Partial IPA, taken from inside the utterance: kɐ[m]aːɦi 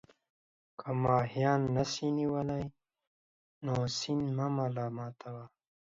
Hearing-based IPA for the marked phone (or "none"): m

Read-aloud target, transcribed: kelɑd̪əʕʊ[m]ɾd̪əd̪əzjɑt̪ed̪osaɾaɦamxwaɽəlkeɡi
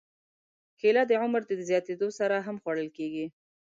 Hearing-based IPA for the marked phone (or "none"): m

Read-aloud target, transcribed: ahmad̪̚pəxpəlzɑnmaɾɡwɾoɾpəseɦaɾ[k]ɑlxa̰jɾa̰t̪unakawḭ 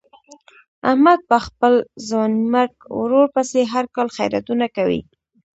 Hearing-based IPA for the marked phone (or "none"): k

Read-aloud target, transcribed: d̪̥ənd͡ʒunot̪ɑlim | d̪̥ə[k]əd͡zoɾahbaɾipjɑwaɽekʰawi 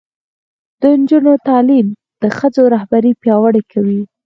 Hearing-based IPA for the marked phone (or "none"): x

